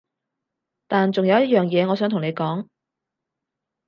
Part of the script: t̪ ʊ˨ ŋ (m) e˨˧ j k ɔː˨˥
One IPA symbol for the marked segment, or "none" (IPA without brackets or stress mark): n